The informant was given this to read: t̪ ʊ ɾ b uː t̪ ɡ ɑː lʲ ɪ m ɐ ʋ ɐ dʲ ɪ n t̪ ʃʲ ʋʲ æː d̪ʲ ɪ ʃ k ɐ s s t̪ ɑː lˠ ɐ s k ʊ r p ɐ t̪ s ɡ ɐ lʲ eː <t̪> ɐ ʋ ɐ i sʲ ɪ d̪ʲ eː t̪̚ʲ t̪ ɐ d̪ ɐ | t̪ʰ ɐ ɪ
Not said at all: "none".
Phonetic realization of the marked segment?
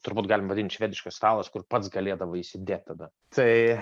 d̪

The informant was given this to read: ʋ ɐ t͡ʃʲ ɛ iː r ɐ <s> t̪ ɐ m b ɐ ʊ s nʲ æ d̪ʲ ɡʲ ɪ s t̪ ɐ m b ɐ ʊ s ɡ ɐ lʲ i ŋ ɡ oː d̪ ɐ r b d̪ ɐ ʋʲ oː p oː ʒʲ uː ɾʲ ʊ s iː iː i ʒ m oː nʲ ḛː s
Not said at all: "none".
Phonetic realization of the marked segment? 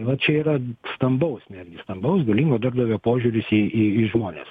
s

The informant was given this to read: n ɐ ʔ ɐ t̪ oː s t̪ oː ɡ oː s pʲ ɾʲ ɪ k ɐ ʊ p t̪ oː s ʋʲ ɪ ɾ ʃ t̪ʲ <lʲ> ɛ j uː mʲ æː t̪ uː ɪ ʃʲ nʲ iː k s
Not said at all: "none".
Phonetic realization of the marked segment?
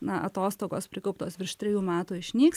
ɾʲ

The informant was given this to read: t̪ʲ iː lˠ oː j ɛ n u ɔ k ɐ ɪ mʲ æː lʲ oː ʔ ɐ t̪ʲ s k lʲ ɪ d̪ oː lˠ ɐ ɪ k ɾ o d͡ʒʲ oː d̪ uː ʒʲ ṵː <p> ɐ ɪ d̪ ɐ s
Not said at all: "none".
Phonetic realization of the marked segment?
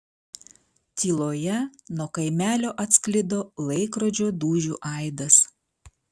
ʔ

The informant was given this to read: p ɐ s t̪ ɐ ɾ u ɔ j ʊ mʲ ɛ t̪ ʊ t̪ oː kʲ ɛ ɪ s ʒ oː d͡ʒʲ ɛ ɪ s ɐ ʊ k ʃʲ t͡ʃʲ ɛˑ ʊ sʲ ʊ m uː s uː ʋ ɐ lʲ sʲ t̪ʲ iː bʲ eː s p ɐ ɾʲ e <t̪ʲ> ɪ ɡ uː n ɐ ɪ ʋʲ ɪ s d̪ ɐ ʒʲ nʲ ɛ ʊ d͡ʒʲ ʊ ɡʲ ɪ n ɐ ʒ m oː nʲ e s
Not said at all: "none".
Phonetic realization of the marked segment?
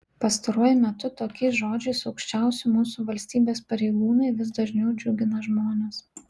none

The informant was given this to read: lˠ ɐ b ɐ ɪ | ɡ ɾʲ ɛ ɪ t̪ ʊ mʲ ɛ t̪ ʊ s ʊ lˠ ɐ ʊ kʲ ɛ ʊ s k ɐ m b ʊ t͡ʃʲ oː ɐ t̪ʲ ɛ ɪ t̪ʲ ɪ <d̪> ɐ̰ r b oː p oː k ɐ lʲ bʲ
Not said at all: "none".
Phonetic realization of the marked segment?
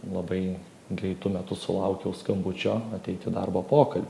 d̪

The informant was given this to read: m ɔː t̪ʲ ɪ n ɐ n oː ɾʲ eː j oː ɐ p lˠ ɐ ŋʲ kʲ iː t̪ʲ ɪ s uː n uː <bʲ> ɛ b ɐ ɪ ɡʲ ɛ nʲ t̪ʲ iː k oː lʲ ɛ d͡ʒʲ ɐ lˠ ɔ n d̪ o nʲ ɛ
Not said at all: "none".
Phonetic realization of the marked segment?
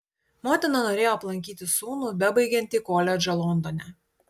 bʲ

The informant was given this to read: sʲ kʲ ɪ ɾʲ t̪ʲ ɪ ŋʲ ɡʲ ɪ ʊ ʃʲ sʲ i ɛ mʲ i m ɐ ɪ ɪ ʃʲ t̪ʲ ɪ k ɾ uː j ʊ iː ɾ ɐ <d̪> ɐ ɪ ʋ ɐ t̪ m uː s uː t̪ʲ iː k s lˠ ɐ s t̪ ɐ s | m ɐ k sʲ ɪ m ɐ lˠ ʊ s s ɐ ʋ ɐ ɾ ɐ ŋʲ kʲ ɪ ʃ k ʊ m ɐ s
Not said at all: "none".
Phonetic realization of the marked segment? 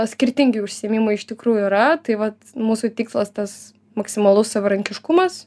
t̪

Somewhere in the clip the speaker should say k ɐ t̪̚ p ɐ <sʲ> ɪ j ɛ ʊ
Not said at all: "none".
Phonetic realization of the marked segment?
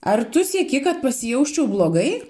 sʲ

